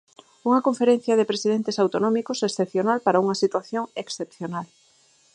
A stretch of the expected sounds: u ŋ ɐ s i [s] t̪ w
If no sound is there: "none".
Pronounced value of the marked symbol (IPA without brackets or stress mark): none